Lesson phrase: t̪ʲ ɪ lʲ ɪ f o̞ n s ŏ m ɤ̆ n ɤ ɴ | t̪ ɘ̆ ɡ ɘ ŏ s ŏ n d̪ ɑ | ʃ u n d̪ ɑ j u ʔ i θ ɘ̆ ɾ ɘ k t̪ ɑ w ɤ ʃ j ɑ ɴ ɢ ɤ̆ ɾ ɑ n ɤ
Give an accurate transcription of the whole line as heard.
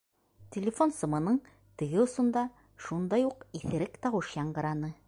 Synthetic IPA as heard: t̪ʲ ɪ lʲ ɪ f o̞ n s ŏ m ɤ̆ n ɤ ɴ | t̪ ɘ̆ ɡ ɘ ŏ s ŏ n d̪ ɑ | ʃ u n d̪ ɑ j u q i θ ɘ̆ ɾ ɘ k t̪ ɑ w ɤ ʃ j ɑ ɴ ɢ ɤ̆ ɾ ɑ n ɤ